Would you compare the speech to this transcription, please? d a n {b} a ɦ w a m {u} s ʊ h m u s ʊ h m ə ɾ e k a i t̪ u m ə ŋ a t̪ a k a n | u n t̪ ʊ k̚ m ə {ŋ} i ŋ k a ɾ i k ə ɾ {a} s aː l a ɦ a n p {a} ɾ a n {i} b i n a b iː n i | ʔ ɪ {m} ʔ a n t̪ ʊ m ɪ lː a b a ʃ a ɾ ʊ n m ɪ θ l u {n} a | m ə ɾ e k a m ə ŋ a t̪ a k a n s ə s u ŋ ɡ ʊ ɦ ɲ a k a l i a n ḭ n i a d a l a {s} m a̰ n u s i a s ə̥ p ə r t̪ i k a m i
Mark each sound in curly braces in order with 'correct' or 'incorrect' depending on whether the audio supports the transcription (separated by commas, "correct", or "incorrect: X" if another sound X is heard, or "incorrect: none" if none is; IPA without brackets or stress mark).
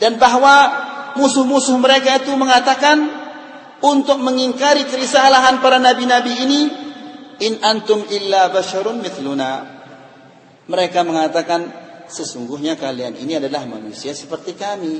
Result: correct, correct, correct, incorrect: i, correct, incorrect: a, incorrect: n, correct, incorrect: h